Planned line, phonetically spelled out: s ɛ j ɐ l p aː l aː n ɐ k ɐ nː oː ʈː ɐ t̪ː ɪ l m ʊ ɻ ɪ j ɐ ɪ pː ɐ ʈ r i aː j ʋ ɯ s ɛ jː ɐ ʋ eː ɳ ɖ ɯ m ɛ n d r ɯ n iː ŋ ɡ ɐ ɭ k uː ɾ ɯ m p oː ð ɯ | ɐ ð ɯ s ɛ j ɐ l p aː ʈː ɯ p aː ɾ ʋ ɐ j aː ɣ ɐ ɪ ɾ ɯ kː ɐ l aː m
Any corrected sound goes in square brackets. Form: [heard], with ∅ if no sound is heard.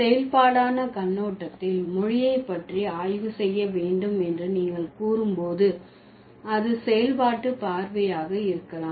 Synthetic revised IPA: s ɛ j ɐ l p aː [ɽ] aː n ɐ k ɐ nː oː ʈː ɐ t̪ː ɪ l m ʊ ɻ ɪ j ɐ ɪ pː ɐ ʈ r i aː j ʋ ɯ s ɛ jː ɐ ʋ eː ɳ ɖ ɯ m ɛ n d r ɯ n iː ŋ ɡ ɐ ɭ k uː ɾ ɯ m p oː ð ɯ | ɐ ð ɯ s ɛ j ɐ l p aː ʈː ɯ p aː ɾ ʋ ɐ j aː ɣ ɐ ɪ ɾ ɯ kː ɐ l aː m